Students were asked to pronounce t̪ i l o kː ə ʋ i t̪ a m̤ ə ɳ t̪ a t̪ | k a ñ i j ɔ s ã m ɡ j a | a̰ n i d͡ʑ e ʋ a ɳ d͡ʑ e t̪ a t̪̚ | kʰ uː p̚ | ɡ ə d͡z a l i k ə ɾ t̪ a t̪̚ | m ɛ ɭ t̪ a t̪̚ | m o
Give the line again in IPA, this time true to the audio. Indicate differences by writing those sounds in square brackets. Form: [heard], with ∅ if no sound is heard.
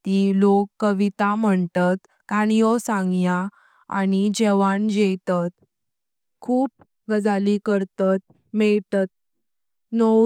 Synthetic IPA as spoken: t̪ i l o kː ə ʋ i t̪ a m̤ ə ɳ t̪ a t̪ | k a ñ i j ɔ s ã [ŋ] ɡ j a | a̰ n i d͡ʑ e ʋ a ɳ d͡ʑ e t̪ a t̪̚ | kʰ uː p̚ | ɡ ə d͡z a l i k ə ɾ t̪ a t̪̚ | m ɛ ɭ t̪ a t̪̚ | [n] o